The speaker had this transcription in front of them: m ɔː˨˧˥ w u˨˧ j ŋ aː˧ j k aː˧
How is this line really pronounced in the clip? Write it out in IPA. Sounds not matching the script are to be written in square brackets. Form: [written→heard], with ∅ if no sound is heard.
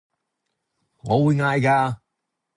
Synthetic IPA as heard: [m→ŋ] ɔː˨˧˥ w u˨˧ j ŋ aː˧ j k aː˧